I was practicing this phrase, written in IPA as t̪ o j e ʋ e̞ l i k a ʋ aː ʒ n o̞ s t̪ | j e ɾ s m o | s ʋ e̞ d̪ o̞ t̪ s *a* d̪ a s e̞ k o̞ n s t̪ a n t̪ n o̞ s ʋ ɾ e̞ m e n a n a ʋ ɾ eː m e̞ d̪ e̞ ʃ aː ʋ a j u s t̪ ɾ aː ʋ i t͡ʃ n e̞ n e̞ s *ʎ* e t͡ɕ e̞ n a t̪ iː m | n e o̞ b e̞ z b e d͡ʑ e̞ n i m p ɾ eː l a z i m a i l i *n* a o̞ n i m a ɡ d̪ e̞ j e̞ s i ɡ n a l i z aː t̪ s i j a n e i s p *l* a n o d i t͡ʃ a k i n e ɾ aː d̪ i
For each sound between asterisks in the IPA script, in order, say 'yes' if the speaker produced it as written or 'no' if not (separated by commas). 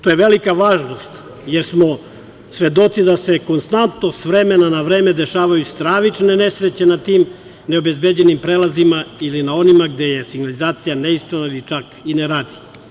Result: no, no, yes, no